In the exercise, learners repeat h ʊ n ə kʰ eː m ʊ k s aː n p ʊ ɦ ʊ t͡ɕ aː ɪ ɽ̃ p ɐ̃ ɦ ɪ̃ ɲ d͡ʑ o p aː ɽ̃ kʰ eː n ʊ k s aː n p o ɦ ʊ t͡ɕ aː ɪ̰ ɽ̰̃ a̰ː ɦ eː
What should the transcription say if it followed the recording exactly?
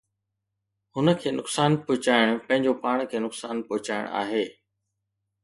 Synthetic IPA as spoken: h ʊ n ə kʰ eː n ʊ k s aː n p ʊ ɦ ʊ t͡ɕ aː ɪ ɽ̃ p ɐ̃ ɦ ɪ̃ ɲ d͡ʑ o p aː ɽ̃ kʰ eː n ʊ k s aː n p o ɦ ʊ t͡ɕ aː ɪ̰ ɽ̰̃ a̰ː ɦ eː